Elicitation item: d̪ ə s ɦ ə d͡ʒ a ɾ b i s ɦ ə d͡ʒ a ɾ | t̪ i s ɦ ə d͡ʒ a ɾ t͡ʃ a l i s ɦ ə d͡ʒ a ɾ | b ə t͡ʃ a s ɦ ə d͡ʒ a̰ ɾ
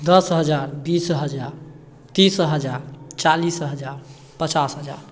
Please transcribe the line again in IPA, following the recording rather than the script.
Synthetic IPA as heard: d̪ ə s ɦ ə d͡ʒ a ɾ b i s ɦ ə d͡ʒ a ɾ | t̪ i s ɦ ə d͡ʒ a ɾ t͡ʃ a l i s ɦ ə d͡ʒ a ɾ | p ə t͡ʃ a s ɦ ə d͡ʒ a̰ ɾ